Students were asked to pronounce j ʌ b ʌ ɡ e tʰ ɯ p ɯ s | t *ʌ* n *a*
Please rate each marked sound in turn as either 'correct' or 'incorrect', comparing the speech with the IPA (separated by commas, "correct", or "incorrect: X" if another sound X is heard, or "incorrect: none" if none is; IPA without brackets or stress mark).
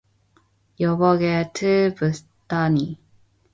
incorrect: a, incorrect: i